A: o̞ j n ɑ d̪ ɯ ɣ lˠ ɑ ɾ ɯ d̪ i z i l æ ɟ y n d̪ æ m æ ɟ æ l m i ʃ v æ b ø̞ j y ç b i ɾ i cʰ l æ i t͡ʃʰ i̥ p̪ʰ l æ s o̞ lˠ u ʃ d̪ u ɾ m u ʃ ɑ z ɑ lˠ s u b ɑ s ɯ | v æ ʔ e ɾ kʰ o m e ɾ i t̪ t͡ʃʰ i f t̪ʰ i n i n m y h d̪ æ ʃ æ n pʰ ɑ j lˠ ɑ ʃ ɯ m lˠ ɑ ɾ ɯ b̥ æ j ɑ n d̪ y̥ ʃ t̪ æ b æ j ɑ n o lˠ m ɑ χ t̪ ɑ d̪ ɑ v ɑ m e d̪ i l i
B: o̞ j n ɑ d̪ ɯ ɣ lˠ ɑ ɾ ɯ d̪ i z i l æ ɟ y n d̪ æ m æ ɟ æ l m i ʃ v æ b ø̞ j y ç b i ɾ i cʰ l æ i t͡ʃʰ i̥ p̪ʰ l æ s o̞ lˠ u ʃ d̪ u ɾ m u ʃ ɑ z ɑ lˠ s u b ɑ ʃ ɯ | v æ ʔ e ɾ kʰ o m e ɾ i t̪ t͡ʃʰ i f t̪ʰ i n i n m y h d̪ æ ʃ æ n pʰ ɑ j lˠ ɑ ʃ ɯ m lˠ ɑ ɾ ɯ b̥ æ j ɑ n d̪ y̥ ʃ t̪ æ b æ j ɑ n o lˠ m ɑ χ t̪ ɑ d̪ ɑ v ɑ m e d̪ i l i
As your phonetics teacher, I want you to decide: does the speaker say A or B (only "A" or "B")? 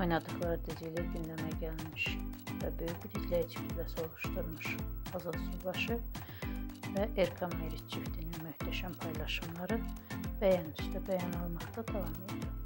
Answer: B